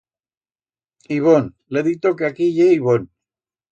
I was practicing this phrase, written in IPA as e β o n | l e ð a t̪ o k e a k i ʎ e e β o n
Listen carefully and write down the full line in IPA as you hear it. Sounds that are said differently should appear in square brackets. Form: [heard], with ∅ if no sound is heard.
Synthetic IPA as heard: [i] β o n | l e ð [i] t̪ o k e a k i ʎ e [i] β o n